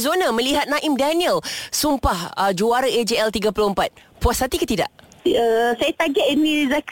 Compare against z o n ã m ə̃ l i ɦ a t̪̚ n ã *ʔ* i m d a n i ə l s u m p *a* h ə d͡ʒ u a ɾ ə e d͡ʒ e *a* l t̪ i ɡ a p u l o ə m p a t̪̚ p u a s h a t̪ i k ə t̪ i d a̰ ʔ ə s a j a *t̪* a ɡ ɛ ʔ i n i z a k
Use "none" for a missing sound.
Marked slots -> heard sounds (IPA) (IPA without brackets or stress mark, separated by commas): ʔ, a, ɛ, t̪